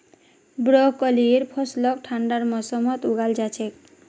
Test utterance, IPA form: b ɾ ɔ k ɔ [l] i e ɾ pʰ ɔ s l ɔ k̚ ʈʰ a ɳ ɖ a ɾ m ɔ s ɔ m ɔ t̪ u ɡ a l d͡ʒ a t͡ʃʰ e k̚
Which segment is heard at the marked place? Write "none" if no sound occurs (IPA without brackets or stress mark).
l